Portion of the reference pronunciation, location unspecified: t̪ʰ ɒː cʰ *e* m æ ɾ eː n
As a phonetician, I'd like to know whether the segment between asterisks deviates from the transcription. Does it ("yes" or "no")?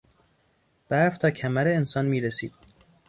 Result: yes